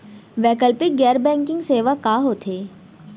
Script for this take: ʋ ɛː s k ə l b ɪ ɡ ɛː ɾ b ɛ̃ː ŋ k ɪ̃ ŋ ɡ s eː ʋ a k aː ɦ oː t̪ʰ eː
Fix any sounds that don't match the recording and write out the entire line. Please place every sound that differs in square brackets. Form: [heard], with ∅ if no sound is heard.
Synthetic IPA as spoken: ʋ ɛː [∅] k ə l [p] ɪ ɡ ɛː ɾ b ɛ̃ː ŋ k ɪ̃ ŋ ɡ s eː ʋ a k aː ɦ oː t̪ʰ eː